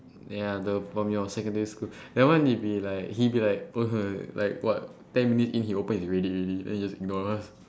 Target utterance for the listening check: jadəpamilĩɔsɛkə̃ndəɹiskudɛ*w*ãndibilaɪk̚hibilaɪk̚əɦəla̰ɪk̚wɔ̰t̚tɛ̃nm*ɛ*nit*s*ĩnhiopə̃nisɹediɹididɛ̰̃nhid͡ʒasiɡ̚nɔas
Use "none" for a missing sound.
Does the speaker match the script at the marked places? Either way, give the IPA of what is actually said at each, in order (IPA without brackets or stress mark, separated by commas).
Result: w, i, s